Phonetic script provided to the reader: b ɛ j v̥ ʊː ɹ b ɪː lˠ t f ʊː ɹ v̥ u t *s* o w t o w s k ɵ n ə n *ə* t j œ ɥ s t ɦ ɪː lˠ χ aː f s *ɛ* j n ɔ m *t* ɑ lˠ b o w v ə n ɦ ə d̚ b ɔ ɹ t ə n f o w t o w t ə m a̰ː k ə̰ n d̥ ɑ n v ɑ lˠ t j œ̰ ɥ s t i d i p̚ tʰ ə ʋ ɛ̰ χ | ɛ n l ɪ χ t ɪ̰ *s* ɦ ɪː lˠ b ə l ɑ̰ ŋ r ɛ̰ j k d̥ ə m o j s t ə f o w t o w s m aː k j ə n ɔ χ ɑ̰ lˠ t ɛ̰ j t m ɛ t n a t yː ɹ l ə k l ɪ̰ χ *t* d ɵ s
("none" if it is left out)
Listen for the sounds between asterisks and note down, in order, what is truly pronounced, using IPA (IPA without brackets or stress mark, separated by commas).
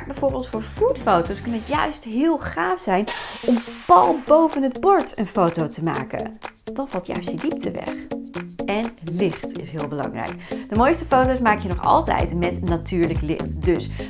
f, ə, ɛ, p, s, t